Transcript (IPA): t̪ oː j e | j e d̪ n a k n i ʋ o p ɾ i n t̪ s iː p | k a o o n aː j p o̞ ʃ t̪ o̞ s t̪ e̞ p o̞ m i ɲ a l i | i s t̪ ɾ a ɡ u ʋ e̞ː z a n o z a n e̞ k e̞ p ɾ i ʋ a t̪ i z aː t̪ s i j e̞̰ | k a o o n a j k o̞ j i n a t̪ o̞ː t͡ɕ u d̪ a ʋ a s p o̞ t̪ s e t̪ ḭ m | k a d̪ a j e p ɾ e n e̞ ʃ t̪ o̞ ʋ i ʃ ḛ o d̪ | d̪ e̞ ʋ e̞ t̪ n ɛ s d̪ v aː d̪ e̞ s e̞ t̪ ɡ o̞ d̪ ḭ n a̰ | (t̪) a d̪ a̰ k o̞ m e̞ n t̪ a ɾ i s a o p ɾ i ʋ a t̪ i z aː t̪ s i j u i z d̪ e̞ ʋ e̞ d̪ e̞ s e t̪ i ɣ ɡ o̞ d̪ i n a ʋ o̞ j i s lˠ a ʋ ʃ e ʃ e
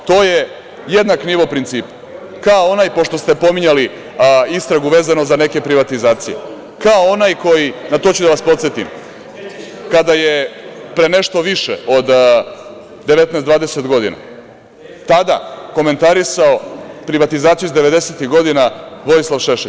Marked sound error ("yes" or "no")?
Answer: no